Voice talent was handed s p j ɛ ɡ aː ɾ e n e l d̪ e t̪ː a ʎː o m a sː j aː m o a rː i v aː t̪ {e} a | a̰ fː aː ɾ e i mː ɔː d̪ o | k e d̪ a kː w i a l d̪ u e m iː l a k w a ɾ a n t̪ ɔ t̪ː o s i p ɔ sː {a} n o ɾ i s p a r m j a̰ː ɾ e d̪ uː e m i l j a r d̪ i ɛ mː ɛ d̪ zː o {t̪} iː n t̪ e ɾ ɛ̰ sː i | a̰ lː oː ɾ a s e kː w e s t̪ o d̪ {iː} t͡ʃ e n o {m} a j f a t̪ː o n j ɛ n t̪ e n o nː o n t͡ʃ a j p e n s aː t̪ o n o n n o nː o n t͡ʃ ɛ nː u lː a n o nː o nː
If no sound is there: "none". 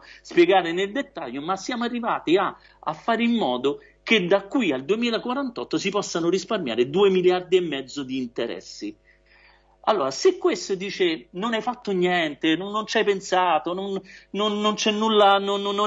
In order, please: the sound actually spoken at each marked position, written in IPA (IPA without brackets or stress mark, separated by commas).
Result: i, a, d̪, iː, n